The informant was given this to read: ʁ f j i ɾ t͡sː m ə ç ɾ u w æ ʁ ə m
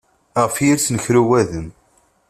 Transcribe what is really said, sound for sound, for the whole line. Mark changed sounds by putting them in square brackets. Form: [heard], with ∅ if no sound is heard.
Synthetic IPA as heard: ʁ f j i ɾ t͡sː [n] ə ç ɾ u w æ [ð] ə m